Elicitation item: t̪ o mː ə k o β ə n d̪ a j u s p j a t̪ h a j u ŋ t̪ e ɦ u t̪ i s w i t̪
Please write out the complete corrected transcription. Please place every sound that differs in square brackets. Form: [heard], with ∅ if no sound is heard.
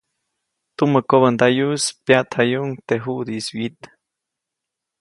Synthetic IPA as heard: t̪ [u] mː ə k o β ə n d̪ a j u s p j a t̪ h a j u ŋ t̪ e ɦ u [d̪] i s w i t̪